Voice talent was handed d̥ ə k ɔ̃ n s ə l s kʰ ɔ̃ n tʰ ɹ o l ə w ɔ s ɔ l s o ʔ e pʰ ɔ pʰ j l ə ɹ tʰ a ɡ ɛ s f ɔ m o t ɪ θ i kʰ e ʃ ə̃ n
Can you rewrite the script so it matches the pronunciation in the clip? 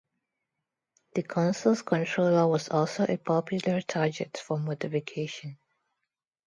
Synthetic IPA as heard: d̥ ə kʰ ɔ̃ n s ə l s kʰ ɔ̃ n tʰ ɹ o l ə w ɔ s ɔ l s o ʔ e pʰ ɔ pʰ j l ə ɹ tʰ a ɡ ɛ t f ɔ m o t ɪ f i kʰ e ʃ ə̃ n